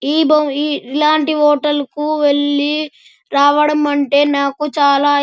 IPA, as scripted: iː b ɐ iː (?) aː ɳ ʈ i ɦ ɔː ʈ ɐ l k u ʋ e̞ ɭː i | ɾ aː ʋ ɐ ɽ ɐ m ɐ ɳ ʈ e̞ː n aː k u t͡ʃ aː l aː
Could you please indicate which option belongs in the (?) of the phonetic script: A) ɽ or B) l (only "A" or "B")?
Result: B